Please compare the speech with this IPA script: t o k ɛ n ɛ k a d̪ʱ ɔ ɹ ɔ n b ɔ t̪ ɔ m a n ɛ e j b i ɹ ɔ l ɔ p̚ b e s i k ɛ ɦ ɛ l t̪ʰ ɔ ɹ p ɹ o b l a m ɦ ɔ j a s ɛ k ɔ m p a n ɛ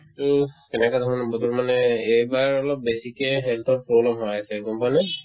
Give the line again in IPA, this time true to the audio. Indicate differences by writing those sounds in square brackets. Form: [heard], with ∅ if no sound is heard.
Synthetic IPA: t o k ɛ n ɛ k a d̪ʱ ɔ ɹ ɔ n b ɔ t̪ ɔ m a n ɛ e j b [a] ɹ ɔ l ɔ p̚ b e s i k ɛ ɦ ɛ l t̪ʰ ɔ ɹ p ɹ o b l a m ɦ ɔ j a s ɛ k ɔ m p a n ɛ